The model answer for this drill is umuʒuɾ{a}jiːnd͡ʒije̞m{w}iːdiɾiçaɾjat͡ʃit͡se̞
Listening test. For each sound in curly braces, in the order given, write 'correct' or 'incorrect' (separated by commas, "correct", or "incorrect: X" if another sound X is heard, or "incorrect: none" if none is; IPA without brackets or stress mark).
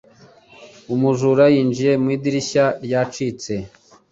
correct, correct